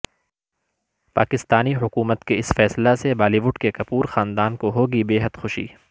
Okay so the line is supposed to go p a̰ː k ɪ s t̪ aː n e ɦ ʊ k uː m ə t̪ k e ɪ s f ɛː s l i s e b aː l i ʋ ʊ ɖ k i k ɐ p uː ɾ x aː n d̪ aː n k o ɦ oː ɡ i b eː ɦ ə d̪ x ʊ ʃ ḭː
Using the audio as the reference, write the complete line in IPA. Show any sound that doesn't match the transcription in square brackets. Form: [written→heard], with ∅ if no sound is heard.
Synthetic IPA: p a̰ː k ɪ s t̪ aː n [e→i] ɦ ʊ k uː m ə t̪ k e ɪ s f ɛː s l [i→a] s e b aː l i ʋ ʊ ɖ k [i→e] k ɐ p uː ɾ x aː n d̪ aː n k o ɦ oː ɡ i b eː ɦ ə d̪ x ʊ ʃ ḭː